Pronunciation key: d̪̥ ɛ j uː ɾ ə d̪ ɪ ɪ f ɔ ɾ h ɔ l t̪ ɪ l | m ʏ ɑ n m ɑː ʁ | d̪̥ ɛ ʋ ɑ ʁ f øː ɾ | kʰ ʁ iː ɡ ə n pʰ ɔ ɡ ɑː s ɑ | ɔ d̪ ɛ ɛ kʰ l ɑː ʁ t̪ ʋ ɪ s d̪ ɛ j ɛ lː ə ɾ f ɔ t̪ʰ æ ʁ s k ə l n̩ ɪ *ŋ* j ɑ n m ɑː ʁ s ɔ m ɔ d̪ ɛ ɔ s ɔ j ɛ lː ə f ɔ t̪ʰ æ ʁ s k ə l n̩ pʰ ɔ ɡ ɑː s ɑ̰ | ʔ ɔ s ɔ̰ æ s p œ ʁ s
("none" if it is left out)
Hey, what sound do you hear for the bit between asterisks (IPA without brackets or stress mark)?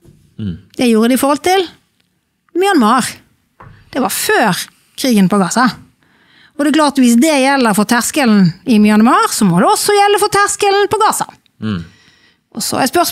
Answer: m